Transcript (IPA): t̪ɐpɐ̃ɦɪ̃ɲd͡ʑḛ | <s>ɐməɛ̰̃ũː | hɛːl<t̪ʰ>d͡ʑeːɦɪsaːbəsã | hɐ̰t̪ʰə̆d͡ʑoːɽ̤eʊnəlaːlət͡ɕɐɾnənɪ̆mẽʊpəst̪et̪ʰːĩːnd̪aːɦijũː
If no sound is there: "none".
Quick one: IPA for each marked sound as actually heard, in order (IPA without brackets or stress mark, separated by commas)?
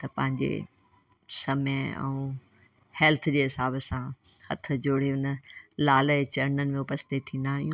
s, t̪ʰ